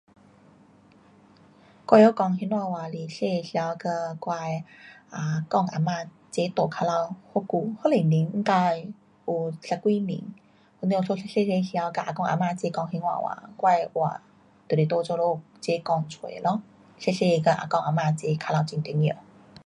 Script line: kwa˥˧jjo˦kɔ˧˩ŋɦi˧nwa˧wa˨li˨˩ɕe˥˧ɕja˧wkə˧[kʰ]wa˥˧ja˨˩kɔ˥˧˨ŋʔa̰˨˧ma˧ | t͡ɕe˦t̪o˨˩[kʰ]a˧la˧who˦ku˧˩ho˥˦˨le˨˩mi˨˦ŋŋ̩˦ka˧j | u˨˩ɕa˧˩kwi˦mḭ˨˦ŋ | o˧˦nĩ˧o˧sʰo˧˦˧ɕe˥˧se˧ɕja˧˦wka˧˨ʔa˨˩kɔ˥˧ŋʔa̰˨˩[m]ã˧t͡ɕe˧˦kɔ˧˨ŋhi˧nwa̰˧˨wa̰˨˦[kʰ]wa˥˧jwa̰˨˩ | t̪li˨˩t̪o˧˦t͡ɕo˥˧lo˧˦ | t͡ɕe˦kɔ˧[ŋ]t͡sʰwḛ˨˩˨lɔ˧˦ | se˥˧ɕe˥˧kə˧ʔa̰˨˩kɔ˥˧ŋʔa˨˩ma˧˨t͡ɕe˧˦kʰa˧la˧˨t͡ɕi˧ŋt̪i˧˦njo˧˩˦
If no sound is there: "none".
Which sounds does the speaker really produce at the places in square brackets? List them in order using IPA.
k, kʰ, m, k, ŋ

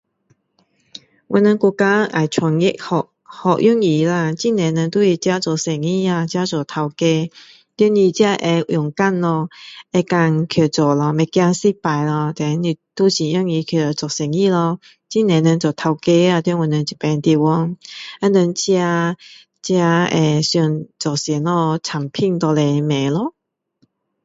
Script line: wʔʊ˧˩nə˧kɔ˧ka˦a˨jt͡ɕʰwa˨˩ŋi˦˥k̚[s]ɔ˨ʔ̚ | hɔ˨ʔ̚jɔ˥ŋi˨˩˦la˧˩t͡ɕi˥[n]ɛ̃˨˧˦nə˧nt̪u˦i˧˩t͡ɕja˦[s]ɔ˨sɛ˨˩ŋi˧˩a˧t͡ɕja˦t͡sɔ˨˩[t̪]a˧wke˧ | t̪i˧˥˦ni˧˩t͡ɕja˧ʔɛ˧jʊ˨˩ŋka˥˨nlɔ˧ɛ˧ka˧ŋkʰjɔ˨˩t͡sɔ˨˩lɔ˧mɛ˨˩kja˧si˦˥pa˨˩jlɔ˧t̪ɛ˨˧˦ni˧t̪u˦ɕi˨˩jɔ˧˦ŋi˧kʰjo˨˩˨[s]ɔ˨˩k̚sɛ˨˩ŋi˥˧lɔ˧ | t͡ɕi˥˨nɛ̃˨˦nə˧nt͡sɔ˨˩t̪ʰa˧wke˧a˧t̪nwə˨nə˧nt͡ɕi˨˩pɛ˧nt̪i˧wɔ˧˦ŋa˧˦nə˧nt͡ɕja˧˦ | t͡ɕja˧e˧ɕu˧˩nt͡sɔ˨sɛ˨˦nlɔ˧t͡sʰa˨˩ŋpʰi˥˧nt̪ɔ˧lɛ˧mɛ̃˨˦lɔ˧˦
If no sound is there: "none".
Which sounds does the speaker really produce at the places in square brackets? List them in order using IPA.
h, n, t͡s, t̪ʰ, t͡s

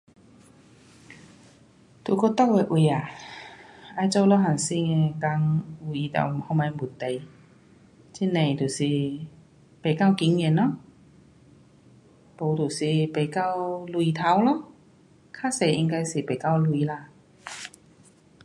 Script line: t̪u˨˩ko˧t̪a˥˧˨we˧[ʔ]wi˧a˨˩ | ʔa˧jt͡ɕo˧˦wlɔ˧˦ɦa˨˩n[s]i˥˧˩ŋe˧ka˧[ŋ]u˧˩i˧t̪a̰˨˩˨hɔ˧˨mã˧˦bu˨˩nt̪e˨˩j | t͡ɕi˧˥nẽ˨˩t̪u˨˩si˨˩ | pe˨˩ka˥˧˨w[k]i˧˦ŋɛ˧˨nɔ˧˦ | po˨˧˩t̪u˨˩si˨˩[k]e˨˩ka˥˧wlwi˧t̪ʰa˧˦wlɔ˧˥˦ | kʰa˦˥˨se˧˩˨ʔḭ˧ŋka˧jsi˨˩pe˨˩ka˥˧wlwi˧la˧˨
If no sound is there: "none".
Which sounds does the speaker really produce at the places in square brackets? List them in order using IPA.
ʔ, s, ŋ, k, p

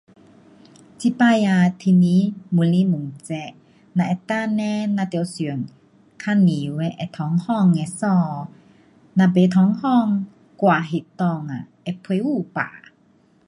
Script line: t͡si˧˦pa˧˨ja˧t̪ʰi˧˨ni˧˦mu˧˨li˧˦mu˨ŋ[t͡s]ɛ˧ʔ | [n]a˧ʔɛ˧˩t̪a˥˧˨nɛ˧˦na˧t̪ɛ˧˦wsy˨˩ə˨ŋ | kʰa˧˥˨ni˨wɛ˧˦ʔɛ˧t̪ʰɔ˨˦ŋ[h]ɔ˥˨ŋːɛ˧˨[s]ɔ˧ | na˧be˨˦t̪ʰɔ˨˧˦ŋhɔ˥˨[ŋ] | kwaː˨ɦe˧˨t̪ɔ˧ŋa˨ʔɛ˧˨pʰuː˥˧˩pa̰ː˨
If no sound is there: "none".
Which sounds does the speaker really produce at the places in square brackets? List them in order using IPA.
t͡s, n, h, s, ŋ

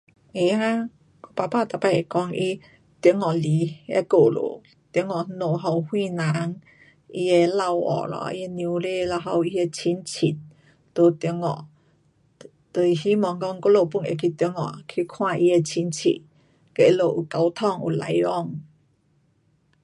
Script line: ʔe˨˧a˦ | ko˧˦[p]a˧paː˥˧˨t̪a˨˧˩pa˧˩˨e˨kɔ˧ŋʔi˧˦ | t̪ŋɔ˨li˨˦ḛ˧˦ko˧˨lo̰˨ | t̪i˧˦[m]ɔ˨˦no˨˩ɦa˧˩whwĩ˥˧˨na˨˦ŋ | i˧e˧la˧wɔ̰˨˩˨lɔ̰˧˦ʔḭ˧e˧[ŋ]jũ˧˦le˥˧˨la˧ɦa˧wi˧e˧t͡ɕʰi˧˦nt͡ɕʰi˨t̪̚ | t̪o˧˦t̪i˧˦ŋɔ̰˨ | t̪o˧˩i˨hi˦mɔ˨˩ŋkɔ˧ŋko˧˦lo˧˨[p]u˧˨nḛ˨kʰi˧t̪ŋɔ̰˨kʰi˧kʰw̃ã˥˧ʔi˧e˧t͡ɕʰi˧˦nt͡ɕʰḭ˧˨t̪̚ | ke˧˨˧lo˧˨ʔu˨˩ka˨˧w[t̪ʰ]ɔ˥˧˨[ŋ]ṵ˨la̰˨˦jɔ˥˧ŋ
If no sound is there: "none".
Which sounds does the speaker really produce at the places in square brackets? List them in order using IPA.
p, ŋ, n, p, t̪ʰ, ŋ

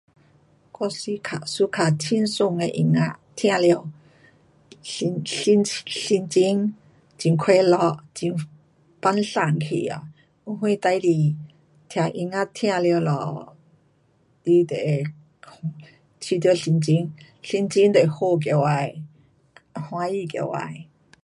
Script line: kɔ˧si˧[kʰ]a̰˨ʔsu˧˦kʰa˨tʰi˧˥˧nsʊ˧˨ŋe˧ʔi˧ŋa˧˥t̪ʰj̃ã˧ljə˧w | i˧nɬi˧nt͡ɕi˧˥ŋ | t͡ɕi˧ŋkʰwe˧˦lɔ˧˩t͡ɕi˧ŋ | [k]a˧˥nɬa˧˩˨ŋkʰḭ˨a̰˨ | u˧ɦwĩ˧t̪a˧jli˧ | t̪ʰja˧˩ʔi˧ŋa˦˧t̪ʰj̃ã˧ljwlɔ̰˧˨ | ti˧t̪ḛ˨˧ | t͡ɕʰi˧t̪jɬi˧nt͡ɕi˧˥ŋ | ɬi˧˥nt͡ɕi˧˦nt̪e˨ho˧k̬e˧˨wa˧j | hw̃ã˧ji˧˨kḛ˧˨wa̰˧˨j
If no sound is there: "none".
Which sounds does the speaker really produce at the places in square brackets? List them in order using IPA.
kʰ, p

